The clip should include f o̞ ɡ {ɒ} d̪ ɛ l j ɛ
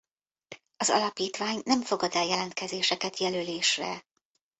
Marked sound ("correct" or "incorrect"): correct